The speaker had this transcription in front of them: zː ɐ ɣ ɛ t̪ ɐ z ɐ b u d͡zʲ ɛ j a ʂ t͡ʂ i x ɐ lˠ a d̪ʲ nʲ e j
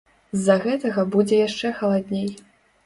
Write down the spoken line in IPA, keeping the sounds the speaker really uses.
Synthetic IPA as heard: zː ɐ ɣ ɛ t̪ ɐ ɣ ɐ b u d͡zʲ ɛ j a ʂ t͡ʂ ɛ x ɐ lˠ a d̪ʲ nʲ e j

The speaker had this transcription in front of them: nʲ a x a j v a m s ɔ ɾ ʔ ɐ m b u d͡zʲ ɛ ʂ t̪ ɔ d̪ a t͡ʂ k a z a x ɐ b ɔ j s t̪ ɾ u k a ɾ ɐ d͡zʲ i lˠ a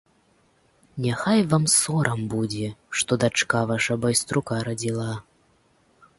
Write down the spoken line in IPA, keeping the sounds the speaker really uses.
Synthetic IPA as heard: nʲ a x a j v a m s ɔ ɾ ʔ ɐ m b u d͡zʲ ɛ ʂ t̪ ɔ d̪ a t͡ʂ k a v a ʂ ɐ b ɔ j s t̪ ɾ u k a ɾ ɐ d͡zʲ i lˠ a

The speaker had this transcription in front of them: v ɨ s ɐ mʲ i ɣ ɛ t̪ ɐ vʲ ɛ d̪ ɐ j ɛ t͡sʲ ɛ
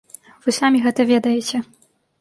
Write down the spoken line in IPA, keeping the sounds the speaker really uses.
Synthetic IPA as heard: v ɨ s a mʲ i ɣ ɛ t̪ ɐ vʲ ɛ d̪ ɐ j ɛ t͡sʲ ɛ

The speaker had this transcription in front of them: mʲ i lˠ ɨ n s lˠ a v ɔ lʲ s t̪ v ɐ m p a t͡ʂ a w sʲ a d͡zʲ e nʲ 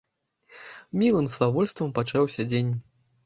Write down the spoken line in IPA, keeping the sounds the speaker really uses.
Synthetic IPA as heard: mʲ i lˠ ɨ m s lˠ a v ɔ lʲ s t̪ v ɐ m p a t͡ʂ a w sʲ ɐ d͡zʲ e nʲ

